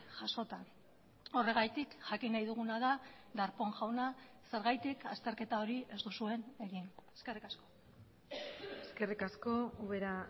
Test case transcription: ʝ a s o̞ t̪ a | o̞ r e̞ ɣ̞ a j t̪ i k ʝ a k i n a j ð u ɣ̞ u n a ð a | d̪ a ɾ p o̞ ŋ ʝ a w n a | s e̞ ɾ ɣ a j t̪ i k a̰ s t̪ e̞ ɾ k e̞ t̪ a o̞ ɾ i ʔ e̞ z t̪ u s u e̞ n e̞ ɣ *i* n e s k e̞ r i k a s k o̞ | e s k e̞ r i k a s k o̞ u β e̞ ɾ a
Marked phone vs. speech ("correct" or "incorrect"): correct